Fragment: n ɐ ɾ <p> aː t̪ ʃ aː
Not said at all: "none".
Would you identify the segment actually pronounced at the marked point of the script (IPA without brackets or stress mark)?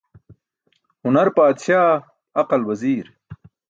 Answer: p